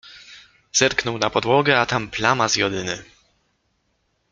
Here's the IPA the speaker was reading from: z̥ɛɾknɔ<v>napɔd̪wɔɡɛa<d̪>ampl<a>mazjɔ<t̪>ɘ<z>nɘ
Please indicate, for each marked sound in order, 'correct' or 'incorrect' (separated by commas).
incorrect, incorrect, correct, incorrect, incorrect